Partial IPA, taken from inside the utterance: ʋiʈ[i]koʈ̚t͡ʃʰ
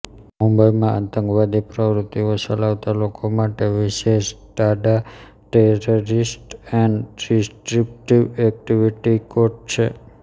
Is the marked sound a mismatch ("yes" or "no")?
no